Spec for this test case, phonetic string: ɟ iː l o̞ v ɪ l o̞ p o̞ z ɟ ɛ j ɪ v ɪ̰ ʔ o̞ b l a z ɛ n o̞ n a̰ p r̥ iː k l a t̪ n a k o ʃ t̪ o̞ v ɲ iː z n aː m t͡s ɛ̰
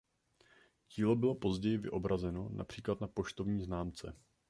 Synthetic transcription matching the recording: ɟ iː l o̞ b ɪ l o̞ p o̞ z ɟ ɛ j ɪ v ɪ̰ ʔ o̞ b ɾ a z ɛ n o̞ n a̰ p r̥ iː k l a t̪ n a p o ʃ t̪ o̞ v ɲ iː z n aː m t͡s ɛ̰